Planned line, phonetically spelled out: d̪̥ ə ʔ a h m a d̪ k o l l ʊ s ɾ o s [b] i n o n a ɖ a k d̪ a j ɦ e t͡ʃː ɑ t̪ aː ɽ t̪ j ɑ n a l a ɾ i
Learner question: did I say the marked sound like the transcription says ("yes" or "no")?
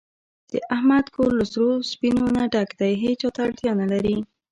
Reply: no